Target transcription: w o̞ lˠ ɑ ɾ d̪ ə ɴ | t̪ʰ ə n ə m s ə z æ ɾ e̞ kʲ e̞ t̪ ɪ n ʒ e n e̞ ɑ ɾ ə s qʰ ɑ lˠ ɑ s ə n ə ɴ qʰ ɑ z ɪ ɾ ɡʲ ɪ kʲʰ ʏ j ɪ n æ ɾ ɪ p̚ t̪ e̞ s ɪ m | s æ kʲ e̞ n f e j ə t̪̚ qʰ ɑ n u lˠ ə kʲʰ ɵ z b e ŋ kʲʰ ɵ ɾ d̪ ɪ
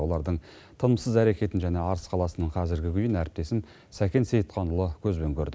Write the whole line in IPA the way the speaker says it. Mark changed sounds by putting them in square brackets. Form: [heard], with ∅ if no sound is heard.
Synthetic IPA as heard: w o̞ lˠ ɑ ɾ d̪ ə ɴ | t̪ʰ ə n ə m s ə z æ ɾ e̞ kʲ e̞ t̪ ɪ n ʒ [æ] n e̞ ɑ ɾ ə s qʰ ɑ lˠ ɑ s ə n ə ɴ qʰ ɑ z ɪ ɾ ɡʲ ɪ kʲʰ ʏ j ɪ n æ ɾ ɪ p̚ t̪ e̞ s ɪ m | s æ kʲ e̞ n [s] e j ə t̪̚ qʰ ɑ n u lˠ ə kʲʰ ɵ z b e ŋ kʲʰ ɵ ɾ d̪ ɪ